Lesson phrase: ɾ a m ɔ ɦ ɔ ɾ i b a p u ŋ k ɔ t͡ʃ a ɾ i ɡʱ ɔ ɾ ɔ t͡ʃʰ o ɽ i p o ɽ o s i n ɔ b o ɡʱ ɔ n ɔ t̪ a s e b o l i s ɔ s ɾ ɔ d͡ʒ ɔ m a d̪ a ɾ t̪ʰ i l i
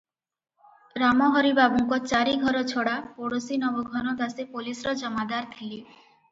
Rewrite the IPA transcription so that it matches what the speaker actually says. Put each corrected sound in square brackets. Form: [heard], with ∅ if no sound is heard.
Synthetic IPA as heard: ɾ a m ɔ ɦ ɔ ɾ i b a [b] u ŋ k ɔ t͡ʃ a ɾ i ɡʱ ɔ ɾ ɔ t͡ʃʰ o ɽ [a] p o ɽ o s i n ɔ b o ɡʱ ɔ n ɔ [d̪] a s e [p] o l i s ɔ [∅] ɾ ɔ d͡ʒ ɔ m a d̪ a ɾ t̪ʰ i l i